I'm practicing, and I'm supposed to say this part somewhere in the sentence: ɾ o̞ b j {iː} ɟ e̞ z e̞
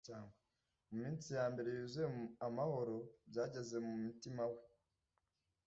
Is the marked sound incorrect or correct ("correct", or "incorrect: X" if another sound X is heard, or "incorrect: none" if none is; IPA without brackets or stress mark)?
incorrect: aː